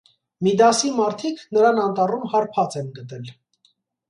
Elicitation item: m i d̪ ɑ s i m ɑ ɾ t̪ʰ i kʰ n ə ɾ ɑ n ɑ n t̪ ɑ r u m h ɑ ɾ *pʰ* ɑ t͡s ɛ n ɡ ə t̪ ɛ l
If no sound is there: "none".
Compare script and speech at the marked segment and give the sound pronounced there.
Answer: pʰ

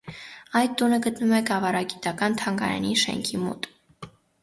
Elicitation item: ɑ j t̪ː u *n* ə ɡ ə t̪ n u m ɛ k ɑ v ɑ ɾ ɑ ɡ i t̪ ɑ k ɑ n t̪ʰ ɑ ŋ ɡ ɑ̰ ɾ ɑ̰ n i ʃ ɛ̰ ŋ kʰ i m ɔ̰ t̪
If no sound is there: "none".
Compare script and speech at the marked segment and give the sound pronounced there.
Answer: n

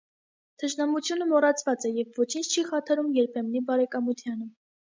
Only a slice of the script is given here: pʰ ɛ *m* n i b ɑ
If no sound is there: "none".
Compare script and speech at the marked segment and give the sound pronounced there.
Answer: m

